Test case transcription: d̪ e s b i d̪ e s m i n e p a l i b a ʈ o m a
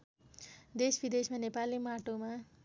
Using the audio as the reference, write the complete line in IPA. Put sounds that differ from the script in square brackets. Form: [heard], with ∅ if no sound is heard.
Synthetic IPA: d̪ e s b i d̪ e s m [a] n e p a l i [m] a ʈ o m a